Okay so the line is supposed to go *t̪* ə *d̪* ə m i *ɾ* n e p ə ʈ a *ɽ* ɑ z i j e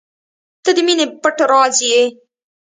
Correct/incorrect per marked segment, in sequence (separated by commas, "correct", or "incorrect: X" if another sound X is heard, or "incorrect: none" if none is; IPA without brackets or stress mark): correct, correct, incorrect: none, incorrect: ɾ